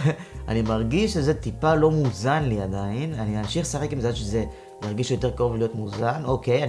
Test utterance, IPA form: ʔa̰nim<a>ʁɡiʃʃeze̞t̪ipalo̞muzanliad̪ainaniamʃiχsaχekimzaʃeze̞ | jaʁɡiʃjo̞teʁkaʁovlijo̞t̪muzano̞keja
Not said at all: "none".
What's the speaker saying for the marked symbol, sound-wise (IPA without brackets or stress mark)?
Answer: a